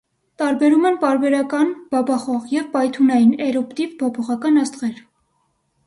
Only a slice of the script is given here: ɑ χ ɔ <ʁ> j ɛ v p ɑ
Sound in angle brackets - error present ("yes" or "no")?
no